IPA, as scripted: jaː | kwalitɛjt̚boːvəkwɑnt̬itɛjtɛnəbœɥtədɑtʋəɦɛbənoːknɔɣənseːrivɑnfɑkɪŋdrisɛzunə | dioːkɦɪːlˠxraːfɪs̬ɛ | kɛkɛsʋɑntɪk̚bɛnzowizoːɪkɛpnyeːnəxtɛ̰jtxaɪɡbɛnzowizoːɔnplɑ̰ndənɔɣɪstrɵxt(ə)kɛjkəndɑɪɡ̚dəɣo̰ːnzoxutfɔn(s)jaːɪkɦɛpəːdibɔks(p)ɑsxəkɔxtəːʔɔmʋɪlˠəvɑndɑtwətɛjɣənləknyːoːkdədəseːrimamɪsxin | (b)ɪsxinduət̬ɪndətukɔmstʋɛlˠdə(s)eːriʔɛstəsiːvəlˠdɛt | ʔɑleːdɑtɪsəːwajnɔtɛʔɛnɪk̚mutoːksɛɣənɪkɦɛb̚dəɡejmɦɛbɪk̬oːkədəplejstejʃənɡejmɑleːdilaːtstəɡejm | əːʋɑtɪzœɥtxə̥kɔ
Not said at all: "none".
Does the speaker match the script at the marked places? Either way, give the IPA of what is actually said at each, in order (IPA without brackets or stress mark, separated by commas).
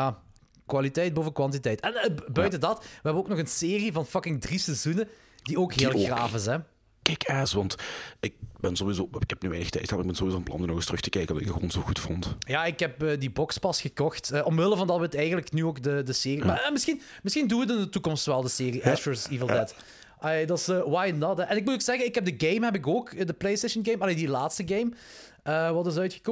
ə, t, p, m, s